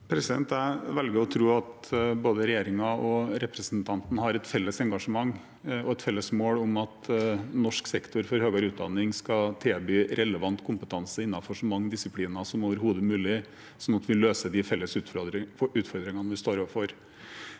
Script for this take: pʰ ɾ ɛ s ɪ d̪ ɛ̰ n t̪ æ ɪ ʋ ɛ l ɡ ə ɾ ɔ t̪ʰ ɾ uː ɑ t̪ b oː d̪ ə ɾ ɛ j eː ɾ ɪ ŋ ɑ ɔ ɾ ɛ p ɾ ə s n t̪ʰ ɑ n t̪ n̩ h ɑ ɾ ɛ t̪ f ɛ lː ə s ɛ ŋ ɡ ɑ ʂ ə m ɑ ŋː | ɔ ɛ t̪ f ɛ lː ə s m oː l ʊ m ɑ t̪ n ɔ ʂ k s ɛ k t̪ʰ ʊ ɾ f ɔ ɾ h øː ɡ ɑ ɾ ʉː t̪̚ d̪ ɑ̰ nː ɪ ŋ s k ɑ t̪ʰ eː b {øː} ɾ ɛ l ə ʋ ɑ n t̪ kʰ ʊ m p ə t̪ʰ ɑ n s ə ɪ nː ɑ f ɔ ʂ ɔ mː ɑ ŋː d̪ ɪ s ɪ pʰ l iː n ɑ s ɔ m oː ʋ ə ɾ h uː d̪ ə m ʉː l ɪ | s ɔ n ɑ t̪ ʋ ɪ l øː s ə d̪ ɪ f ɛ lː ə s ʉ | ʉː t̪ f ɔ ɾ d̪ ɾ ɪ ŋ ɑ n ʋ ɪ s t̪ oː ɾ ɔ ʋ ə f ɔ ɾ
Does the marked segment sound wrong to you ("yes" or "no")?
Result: yes